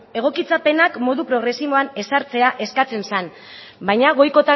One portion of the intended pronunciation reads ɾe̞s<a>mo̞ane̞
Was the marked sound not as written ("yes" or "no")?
yes